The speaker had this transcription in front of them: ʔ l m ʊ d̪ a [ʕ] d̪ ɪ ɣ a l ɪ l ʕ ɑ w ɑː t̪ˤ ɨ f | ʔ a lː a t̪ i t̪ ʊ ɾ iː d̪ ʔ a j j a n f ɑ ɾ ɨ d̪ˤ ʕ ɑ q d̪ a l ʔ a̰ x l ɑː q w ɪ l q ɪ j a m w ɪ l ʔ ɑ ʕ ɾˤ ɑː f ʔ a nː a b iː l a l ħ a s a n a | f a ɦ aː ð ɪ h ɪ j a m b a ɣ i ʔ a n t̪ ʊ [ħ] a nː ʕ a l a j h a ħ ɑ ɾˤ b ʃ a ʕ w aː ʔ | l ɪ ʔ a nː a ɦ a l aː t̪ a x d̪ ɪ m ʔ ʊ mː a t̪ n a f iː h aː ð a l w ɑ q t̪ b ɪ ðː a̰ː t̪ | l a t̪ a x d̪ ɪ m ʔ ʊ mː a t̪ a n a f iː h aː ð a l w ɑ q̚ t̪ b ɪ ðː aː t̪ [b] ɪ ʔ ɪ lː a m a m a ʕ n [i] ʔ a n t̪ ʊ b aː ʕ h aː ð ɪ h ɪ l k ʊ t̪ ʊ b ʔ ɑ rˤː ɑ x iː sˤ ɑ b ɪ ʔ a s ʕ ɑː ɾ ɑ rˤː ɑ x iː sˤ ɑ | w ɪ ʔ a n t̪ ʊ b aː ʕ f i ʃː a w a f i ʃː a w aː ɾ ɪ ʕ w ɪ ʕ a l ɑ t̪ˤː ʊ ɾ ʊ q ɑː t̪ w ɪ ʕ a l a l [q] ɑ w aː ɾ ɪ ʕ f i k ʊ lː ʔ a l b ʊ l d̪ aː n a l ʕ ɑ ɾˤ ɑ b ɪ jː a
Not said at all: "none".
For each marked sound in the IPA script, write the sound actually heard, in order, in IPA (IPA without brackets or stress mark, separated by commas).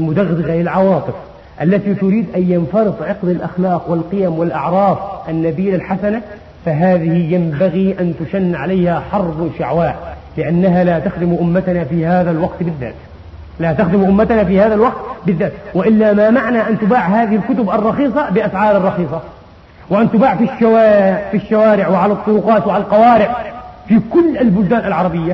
ɣ, ʃ, w, a, q